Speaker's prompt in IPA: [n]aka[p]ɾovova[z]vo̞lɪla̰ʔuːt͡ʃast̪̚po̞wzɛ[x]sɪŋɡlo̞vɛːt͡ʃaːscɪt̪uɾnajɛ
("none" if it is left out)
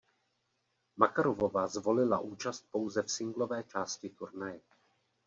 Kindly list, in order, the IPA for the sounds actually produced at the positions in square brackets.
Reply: m, none, z, f

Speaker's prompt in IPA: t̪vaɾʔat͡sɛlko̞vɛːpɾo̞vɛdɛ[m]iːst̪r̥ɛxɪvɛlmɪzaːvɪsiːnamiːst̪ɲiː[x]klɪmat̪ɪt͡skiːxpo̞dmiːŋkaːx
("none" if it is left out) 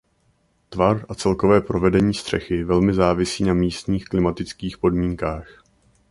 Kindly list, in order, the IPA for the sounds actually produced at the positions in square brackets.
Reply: ɲ, x

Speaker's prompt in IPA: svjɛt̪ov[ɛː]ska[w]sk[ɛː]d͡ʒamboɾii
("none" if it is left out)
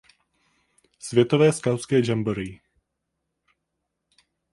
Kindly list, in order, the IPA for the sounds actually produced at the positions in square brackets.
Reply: ɛː, w, ɛː

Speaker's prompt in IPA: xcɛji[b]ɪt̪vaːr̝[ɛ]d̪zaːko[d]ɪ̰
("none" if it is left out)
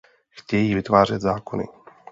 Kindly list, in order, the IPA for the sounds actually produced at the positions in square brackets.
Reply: v, ɛ, n

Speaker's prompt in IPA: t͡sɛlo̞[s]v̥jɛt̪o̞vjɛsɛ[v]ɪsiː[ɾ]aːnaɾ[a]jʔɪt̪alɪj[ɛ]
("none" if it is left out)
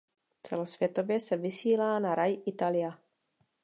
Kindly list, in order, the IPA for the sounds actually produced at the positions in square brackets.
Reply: s, v, l, a, a

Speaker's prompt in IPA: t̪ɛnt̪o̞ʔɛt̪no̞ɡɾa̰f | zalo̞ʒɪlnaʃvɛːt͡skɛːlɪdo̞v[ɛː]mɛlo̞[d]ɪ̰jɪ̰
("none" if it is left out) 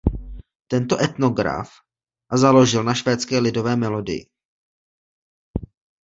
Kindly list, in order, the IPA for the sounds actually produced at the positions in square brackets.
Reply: ɛː, d

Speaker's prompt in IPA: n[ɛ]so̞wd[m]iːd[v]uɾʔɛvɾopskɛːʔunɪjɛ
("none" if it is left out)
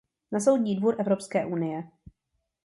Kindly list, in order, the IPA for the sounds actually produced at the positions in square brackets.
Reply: a, ɲ, v

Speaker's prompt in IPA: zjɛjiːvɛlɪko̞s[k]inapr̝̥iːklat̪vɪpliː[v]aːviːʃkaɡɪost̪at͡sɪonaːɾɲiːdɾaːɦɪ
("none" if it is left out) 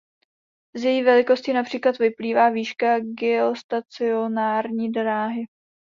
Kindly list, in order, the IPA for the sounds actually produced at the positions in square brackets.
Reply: c, v

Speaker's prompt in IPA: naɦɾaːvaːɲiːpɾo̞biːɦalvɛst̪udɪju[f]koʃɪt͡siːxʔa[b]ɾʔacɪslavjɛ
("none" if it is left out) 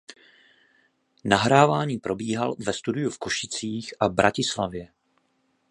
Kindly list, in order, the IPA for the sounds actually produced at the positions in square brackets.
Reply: f, b

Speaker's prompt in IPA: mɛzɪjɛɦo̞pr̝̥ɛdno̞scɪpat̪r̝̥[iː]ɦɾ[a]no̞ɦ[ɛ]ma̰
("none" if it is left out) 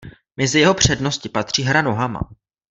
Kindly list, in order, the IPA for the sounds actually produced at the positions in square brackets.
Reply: iː, a, a

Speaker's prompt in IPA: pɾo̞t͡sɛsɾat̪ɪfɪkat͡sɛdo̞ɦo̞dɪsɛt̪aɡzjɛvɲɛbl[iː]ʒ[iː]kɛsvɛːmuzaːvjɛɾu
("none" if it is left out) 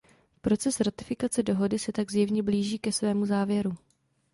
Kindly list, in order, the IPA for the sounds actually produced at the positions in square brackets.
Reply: iː, iː

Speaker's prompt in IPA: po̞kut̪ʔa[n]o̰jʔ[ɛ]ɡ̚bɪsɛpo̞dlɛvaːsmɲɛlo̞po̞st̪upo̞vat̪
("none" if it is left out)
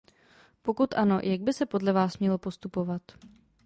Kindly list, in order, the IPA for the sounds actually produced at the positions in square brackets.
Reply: n, a

